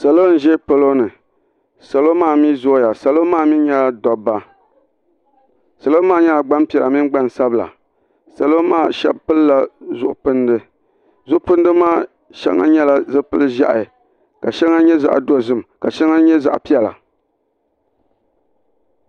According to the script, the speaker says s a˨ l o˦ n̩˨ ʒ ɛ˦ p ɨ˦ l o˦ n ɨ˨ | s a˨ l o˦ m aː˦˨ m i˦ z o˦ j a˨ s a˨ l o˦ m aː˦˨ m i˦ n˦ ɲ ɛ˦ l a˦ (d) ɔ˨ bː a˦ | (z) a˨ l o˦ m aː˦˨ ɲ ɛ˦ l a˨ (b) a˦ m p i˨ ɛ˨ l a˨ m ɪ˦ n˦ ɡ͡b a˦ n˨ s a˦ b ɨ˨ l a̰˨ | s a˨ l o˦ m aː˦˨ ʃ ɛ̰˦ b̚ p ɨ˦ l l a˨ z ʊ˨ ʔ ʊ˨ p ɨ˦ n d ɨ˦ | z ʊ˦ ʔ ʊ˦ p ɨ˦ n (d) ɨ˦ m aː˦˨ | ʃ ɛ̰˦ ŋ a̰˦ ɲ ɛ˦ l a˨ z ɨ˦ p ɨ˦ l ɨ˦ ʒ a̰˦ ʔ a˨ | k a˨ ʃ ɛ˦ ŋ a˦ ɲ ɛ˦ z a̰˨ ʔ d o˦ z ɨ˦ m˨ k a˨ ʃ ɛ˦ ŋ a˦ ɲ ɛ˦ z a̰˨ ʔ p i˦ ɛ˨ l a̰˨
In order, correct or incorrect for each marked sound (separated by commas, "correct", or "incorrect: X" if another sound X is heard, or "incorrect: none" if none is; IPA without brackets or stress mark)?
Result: correct, incorrect: s, incorrect: ɡ͡b, correct